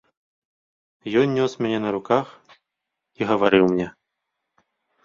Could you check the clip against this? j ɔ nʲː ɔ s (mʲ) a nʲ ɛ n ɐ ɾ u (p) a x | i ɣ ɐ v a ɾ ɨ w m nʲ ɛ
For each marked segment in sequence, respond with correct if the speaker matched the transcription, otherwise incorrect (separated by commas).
correct, incorrect